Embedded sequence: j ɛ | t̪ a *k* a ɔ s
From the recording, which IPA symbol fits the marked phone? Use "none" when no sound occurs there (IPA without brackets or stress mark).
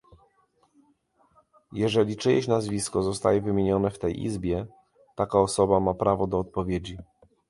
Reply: k